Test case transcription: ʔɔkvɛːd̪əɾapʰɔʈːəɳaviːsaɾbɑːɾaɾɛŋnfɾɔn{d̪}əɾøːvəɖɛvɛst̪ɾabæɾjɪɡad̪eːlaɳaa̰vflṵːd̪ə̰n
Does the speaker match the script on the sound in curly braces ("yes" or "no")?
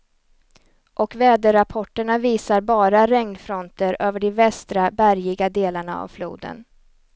no